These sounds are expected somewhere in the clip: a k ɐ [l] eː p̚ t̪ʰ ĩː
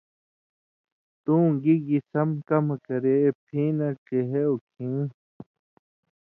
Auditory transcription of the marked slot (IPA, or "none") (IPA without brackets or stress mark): ɾ